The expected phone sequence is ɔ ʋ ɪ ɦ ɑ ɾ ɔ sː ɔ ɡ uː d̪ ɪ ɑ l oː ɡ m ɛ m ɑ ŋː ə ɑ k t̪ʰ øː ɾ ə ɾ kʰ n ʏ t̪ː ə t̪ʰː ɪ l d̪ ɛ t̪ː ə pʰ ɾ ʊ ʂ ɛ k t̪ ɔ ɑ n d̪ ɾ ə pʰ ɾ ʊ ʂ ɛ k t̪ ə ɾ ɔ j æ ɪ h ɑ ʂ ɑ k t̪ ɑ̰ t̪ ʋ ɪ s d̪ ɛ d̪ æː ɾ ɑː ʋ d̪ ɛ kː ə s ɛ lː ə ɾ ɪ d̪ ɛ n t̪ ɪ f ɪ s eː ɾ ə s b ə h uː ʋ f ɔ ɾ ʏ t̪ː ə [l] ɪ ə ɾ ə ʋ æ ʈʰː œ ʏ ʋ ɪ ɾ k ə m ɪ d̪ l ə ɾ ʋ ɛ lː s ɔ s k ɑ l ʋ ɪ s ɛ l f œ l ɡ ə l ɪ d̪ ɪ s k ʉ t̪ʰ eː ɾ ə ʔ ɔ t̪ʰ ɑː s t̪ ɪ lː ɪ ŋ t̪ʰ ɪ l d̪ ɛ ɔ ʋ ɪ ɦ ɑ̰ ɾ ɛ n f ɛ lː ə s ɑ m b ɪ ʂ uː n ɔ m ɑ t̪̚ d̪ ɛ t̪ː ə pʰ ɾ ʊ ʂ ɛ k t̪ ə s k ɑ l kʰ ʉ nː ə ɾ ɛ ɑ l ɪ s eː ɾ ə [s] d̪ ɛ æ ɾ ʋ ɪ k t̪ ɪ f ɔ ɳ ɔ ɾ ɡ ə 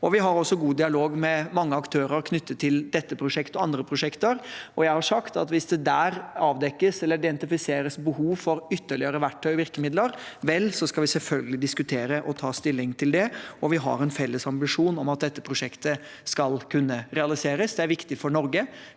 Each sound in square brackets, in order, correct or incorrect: incorrect, correct

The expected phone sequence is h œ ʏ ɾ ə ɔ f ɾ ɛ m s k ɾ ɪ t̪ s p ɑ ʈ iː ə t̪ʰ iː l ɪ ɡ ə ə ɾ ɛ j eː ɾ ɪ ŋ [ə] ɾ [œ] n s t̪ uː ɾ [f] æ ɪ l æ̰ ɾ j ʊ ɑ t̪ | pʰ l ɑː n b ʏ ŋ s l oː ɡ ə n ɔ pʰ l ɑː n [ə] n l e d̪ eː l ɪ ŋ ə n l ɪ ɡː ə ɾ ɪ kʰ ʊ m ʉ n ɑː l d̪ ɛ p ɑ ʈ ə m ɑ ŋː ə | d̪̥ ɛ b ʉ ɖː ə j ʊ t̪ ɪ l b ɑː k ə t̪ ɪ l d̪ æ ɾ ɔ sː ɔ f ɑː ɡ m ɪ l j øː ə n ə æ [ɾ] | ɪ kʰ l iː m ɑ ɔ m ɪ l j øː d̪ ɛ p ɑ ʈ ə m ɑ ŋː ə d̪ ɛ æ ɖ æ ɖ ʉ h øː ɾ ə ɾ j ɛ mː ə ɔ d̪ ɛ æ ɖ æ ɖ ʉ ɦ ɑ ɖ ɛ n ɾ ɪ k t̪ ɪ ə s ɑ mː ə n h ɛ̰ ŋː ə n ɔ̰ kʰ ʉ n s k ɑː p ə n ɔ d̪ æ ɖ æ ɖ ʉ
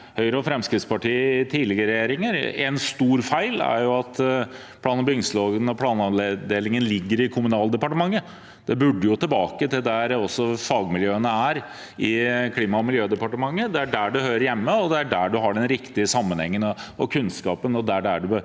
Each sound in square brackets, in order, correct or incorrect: correct, incorrect, correct, incorrect, correct

